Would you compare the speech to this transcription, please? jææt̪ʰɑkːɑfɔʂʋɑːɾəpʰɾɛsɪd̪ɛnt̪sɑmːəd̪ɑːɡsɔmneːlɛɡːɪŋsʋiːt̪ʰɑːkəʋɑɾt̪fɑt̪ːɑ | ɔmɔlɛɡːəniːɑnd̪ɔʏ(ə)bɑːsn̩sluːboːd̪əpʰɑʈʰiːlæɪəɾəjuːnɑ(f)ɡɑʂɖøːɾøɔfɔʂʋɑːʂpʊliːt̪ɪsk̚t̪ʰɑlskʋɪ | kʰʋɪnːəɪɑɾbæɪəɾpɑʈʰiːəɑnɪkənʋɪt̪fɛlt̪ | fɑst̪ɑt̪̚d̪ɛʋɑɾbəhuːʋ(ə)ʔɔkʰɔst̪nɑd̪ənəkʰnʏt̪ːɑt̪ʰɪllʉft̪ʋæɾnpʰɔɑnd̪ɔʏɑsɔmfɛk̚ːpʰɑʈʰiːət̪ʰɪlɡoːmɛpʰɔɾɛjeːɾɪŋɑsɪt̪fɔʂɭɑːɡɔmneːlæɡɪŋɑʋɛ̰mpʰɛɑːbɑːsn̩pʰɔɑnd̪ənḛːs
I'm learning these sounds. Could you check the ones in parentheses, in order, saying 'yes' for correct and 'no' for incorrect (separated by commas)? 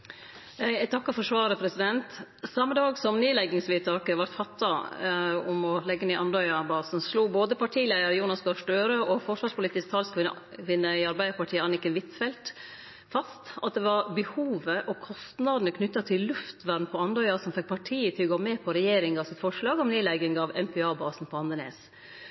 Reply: no, no, yes